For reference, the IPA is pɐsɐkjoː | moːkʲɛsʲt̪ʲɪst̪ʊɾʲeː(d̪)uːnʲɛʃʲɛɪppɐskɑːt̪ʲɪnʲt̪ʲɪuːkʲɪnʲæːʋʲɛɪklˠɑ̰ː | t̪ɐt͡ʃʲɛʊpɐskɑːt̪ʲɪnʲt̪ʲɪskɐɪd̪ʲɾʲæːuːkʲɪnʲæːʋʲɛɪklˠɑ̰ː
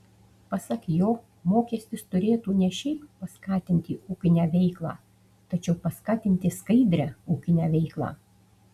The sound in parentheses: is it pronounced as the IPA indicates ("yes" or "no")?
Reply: no